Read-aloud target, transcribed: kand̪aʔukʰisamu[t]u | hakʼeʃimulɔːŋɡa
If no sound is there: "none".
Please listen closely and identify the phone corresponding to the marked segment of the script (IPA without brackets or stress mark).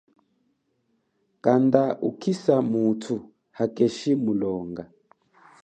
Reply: tʰ